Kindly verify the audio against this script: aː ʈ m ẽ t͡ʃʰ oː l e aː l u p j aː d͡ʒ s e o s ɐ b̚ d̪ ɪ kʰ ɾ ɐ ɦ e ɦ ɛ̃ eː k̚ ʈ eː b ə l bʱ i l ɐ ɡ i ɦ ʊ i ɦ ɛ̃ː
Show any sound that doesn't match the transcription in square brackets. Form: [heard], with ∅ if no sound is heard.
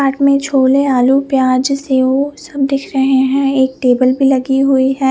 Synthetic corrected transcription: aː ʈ m ẽ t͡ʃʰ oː l e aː l u p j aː d͡ʒ s e o s ɐ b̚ d̪ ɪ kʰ ɾ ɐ ɦ e ɦ ɛ̃ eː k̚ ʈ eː b ə l bʱ i l ɐ ɡ i ɦ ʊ i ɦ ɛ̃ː